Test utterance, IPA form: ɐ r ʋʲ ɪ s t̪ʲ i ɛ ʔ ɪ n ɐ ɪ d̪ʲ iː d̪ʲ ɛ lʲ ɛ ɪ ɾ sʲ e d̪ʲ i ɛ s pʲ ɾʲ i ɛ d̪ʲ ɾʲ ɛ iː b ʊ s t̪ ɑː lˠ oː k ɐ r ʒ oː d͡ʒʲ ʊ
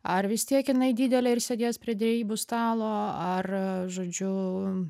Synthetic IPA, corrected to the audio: ɐ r ʋʲ ɪ s t̪ʲ i ɛ k ɪ n ɐ ɪ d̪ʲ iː d̪ʲ ɛ lʲ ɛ ɪ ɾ sʲ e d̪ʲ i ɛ s pʲ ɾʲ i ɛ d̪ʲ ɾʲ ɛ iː b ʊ s t̪ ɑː lˠ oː ɐ r ʒ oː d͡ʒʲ ʊ